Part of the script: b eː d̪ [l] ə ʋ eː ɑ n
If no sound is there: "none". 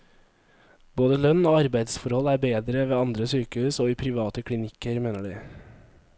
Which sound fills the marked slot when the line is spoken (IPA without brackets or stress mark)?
ɾ